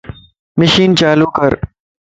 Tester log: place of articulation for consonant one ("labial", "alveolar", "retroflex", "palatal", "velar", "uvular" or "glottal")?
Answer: labial